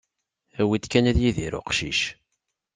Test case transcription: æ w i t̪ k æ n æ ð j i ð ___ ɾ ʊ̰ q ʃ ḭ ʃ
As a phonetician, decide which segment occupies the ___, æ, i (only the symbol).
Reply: i